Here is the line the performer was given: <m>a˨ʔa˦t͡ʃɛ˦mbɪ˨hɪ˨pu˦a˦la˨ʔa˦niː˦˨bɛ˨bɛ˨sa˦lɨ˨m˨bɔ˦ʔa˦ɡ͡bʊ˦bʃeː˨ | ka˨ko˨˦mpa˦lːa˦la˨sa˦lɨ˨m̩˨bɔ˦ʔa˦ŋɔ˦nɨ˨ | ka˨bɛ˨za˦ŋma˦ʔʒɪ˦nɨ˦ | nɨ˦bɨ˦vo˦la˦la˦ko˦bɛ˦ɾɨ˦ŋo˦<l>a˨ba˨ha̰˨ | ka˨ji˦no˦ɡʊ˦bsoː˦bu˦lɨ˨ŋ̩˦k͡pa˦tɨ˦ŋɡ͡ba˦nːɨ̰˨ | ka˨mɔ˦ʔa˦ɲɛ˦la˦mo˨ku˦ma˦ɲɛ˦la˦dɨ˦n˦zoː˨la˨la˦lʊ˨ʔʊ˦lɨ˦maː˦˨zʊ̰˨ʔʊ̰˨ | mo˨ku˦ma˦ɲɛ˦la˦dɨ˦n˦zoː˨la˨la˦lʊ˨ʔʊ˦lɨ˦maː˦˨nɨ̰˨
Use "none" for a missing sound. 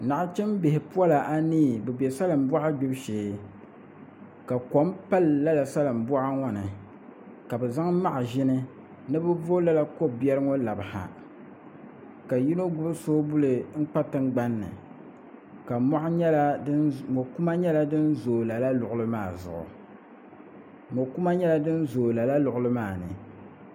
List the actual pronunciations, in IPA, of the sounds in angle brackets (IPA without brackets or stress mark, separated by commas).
n, l